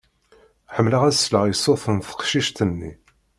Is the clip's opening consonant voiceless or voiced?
voiceless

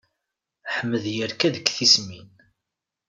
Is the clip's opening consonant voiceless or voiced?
voiceless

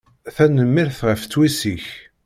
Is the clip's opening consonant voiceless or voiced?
voiceless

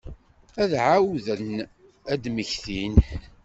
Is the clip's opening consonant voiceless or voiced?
voiced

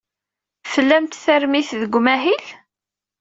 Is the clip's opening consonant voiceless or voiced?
voiceless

